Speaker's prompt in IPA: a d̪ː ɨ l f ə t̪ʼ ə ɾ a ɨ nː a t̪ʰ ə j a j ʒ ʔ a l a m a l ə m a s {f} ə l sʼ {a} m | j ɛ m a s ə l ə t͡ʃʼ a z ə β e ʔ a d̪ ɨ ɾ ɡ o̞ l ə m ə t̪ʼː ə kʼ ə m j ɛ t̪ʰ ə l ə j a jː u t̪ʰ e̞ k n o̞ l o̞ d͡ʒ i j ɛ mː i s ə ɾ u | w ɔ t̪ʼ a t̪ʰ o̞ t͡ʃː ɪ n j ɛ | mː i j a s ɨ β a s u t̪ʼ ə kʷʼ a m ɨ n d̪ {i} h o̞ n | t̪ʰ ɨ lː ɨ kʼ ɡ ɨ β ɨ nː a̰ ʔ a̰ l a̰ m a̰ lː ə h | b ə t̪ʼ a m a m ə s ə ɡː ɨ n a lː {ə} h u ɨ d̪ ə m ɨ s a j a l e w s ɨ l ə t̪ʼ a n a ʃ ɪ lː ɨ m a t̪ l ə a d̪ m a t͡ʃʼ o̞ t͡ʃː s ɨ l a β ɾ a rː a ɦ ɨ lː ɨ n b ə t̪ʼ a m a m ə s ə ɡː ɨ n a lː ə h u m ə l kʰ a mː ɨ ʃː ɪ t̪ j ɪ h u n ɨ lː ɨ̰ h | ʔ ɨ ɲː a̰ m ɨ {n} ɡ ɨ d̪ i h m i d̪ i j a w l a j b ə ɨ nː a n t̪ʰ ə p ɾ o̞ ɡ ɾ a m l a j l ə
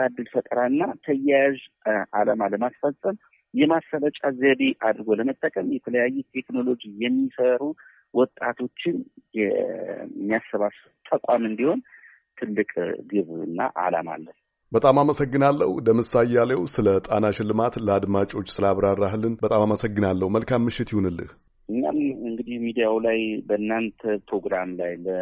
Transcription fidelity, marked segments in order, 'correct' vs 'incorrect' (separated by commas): correct, incorrect, correct, correct, incorrect